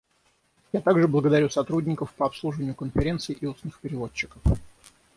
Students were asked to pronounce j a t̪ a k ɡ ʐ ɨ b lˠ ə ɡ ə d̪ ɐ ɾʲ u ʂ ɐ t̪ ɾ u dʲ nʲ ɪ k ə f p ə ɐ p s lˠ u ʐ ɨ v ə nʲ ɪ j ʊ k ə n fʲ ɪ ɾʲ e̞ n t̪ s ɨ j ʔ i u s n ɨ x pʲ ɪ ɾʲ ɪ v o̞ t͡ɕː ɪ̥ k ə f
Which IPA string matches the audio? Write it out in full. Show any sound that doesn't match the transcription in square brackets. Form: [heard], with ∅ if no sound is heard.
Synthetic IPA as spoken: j a t̪ a [∅] ɡ ʐ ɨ b lˠ ə ɡ ə d̪ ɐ ɾʲ u [s] ɐ t̪ ɾ u dʲ nʲ ɪ k ə f p ə ɐ p s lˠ u ʐ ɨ v ə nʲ ɪ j ʊ k ə n fʲ ɪ ɾʲ e̞ n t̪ s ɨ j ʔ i u s n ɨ x pʲ ɪ ɾʲ ɪ v o̞ t͡ɕː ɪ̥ k ə f